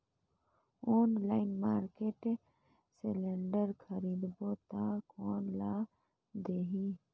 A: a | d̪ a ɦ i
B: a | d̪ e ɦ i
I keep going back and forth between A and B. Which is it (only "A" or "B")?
B